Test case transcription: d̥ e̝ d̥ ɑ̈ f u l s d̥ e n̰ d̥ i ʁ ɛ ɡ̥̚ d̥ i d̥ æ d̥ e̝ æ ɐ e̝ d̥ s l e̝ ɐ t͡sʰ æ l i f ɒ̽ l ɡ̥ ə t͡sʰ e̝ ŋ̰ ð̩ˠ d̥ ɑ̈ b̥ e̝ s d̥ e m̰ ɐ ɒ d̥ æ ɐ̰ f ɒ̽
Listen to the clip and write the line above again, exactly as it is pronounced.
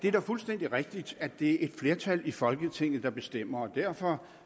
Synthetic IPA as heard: d̥ e̝ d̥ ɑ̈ f u l s d̥ e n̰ d̥ i ʁ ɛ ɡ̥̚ d̥ i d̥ æ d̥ e̝ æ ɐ e̝ d̥ f l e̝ ɐ t͡sʰ æ l i f ɒ̽ l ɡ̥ ə t͡sʰ e̝ ŋ̰ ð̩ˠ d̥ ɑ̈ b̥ e̝ s d̥ e m̰ ɐ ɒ d̥ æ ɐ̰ f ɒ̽